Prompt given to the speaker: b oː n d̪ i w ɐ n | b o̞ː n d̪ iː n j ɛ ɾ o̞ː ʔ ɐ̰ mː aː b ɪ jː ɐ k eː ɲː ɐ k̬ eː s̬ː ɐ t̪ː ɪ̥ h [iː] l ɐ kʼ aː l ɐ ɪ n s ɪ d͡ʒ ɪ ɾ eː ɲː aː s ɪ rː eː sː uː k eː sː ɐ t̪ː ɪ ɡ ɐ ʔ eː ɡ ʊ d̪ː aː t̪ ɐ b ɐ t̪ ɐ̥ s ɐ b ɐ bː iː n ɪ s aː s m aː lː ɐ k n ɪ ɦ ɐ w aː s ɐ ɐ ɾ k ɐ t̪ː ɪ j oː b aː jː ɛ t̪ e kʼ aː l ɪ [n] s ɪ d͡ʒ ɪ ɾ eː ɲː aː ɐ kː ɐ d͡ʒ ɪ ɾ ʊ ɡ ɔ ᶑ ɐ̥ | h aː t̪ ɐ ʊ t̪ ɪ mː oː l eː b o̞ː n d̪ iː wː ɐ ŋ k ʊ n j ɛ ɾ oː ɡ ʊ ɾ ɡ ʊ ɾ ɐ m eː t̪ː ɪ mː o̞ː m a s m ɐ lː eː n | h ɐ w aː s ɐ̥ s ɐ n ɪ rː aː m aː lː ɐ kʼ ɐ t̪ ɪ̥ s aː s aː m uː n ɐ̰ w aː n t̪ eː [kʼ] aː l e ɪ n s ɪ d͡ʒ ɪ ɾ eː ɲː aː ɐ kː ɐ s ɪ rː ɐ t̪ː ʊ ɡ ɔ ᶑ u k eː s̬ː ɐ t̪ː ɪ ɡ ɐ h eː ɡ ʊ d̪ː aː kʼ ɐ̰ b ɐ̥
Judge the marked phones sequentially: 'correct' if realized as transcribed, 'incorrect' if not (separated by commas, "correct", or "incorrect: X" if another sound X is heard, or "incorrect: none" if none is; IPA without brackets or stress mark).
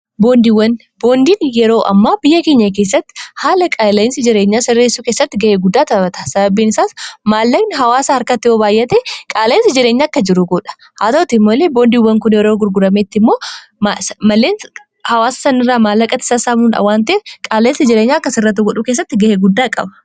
incorrect: aː, correct, correct